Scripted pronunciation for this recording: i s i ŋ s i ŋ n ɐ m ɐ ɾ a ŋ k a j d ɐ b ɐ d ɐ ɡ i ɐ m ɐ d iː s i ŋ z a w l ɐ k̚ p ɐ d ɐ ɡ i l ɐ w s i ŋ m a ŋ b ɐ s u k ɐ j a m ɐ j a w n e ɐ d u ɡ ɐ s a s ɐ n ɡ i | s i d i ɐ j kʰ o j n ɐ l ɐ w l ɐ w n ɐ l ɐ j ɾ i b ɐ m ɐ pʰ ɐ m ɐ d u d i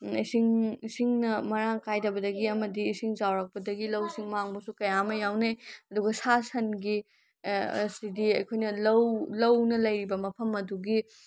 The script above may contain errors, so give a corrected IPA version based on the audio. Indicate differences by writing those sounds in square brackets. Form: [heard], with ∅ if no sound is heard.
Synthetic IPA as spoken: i s i ŋ s i ŋ n ɐ m ɐ ɾ a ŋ k a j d ɐ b ɐ d ɐ ɡ i ɐ m ɐ d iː s i ŋ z a w [ɾ] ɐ k̚ p ɐ d ɐ ɡ i l ɐ w s i ŋ m a ŋ b ɐ s u k ɐ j a m ɐ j a w n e ɐ d u ɡ ɐ s a s ɐ n ɡ i | s i d i ɐ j kʰ o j n ɐ l ɐ w l ɐ w n ɐ l ɐ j ɾ i b ɐ m ɐ pʰ ɐ m ɐ d u [ɡ] i